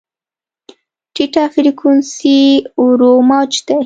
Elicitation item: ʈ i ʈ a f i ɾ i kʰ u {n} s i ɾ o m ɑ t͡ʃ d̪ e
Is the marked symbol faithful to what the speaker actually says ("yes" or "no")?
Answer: yes